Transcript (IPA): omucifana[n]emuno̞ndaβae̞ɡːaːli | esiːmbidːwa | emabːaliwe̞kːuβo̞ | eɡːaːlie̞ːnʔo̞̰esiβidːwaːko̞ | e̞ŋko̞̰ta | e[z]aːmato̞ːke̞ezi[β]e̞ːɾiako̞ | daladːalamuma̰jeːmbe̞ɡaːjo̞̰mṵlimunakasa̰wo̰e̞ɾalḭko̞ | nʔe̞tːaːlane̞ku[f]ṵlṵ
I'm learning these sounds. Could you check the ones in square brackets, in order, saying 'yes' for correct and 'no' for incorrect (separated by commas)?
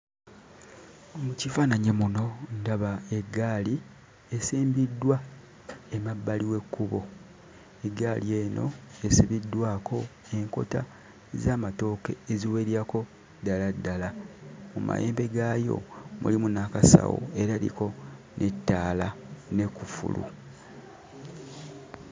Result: no, yes, no, yes